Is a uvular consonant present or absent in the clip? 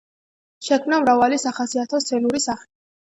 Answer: present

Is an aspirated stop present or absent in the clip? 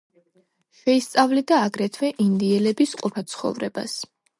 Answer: present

